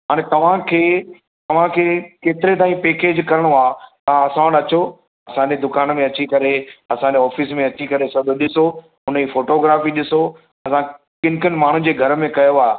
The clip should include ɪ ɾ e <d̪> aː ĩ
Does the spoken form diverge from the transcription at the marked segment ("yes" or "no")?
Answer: yes